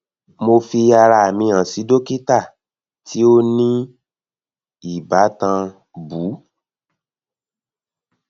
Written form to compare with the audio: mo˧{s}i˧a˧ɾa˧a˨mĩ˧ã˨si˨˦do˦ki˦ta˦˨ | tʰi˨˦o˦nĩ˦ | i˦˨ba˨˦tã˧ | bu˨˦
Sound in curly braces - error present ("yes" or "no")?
yes